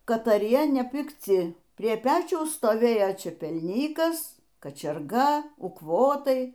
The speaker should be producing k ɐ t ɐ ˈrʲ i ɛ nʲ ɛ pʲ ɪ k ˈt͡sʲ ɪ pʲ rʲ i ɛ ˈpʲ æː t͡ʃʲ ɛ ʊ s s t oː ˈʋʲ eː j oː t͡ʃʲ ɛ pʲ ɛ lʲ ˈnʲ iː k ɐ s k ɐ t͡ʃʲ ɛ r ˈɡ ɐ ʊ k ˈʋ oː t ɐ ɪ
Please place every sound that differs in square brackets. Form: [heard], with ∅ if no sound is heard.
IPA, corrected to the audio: k ɐ t ɐ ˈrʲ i ɛ nʲ ɛ pʲ ɪ k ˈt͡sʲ ɪ pʲ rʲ i ɛ ˈpʲ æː t͡ʃʲ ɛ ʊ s s t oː ˈʋʲ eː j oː t͡ʃʲ ɛ pʲ ɛ lʲ ˈnʲ iː k ɐ s k ɐ t͡ʃʲ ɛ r ˈɡ ɐ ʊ k ˈʋ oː t ɐ ɪ